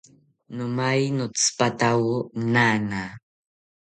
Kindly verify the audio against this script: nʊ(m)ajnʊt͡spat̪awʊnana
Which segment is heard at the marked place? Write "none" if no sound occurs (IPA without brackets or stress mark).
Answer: m